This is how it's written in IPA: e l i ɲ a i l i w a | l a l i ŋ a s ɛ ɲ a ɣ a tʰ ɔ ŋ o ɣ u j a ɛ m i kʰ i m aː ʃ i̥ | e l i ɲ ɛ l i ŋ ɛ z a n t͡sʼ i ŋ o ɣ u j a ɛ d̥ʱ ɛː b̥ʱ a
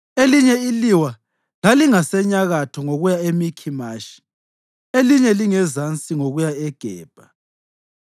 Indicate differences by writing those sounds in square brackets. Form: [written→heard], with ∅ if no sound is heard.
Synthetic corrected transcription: e l i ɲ [a→ɛ] i l i w a | l a l i ŋ a s ɛ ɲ a ɣ a tʰ ɔ ŋ o ɣ u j a [ɛ→e] m i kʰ i m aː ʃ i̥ | e l i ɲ ɛ l i ŋ ɛ z a n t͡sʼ i ŋ o ɣ u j a ɛ [d̥ʱ→ɡ̥ʱ] ɛː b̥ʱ a